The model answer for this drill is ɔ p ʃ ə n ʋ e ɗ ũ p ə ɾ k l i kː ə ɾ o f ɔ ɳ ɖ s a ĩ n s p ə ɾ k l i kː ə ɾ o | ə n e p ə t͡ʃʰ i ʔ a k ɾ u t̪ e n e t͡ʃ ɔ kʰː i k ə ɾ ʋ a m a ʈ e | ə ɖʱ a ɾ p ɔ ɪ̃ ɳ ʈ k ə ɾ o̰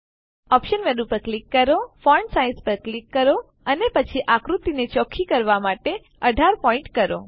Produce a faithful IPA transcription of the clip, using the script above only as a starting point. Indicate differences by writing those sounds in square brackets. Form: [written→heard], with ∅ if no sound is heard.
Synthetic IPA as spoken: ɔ p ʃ ə n ʋ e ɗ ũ p ə ɾ k l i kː ə ɾ o f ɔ ɳ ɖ s a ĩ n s p ə ɾ k l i kː ə ɾ o | ə n e p ə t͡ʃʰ i ʔ a k ɾ u t̪ [e→i] n e t͡ʃ ɔ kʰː i k ə ɾ ʋ a m a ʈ e | ə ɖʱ a ɾ p ɔ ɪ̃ ɳ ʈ k ə ɾ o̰